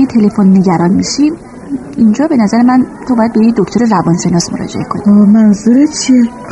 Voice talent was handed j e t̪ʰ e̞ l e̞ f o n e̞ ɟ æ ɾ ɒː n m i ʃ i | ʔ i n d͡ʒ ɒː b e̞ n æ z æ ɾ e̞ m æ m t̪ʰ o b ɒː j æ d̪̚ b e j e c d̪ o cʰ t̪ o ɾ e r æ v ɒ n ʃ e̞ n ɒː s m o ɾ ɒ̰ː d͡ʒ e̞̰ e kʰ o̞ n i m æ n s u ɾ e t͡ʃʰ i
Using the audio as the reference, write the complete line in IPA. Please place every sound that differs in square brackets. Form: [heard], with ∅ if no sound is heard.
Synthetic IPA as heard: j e t̪ʰ e̞ l e̞ f o [nː] e̞ ɟ æ ɾ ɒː n m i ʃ i | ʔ i n d͡ʒ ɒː b e̞ n æ z æ ɾ e̞ m æ [n] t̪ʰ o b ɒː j æ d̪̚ b e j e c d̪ o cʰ t̪ o ɾ e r æ v ɒ n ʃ e̞ n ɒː s m o ɾ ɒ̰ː d͡ʒ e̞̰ e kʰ o̞ n i m æ n [z] u ɾ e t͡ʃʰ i